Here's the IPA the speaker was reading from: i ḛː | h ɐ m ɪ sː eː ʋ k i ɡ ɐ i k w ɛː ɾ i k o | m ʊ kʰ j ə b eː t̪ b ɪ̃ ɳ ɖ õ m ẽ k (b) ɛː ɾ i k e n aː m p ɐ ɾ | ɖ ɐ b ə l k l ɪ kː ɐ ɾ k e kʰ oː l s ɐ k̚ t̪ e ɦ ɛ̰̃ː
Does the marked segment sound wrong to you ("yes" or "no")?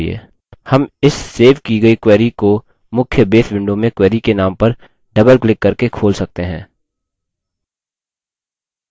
yes